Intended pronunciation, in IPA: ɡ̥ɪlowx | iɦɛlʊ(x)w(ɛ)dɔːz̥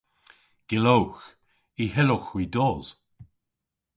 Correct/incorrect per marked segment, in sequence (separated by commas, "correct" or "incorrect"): correct, incorrect